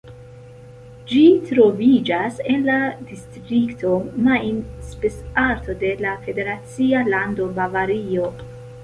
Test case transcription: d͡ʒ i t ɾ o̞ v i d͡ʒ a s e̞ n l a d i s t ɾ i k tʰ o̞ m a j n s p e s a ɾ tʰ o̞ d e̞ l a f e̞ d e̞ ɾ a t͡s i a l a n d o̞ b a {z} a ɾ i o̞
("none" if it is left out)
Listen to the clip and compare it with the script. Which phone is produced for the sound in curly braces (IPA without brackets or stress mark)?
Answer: v